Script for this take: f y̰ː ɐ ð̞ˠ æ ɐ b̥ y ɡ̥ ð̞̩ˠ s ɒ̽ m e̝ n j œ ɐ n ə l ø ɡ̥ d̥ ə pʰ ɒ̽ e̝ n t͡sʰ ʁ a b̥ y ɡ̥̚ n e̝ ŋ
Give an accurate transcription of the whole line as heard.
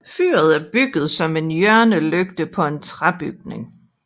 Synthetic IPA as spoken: f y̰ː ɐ ð̞ˠ æ ɐ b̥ y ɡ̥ ð̞̩ˠ s ɒ̽ m e̝ n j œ ɐ n ə l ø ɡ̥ d̥ ə pʰ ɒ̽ e̝ n t͡sʰ ʁ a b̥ y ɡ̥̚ n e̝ ŋ